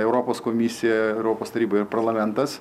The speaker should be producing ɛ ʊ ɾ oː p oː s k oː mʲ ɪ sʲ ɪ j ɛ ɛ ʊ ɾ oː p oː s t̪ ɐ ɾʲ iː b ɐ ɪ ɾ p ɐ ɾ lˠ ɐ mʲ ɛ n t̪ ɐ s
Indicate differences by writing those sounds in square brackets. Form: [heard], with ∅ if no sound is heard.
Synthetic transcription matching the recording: ɛ ʊ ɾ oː p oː s k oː mʲ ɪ sʲ ɪ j ɛ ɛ ʊ ɾ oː p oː s t̪ ɐ ɾʲ iː b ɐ ɪ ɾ p ɐ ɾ lˠ ɐ mʲ ɛ n t̪ ɐ s